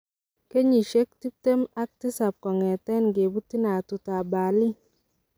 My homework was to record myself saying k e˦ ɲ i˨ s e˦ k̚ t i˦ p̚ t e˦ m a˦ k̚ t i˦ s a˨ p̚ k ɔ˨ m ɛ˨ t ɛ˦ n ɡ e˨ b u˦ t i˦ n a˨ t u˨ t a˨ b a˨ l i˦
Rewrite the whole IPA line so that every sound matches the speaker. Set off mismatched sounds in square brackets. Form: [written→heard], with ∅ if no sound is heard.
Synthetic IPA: k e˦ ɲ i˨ [s→ʃ] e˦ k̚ t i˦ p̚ t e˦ m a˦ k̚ t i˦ s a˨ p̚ k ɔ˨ [m→ŋ] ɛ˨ t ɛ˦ n ɡ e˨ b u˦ t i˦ n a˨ t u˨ t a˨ b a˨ l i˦